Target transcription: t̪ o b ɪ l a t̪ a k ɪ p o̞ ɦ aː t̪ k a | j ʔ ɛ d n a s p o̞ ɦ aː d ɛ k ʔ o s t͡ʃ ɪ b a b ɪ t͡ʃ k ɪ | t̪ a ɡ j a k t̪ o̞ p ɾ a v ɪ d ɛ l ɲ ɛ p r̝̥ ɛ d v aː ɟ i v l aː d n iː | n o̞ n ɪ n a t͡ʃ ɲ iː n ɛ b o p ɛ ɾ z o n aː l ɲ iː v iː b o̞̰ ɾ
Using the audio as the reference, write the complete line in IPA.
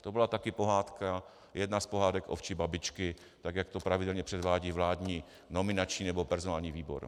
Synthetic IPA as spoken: t̪ o b ɪ l a t̪ a k ɪ p o̞ ɦ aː t̪ k a | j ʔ ɛ d n a s p o̞ ɦ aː d ɛ k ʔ o f t͡ʃ ɪ b a b ɪ t͡ʃ k ɪ | t̪ a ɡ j a k t̪ o̞ p ɾ a v ɪ d ɛ l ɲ ɛ p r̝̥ ɛ d v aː ɟ i v l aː d ɲ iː | n o̞ m ɪ n a t͡ʃ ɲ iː n ɛ b o p ɛ ɾ z o n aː l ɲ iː v iː b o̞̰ ɾ